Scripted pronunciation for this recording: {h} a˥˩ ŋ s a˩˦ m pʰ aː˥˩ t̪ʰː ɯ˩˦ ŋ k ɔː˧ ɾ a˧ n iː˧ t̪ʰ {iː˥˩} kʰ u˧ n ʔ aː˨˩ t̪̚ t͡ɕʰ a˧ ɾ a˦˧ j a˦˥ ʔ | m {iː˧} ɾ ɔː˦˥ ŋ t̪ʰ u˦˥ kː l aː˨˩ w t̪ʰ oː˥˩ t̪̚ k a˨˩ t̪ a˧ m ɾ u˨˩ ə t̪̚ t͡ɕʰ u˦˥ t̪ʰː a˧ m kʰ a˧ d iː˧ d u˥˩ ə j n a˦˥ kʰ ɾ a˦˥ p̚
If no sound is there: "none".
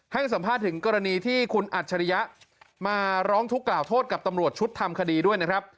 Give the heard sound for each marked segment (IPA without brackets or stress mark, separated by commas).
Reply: h, iː˥˩, aː˧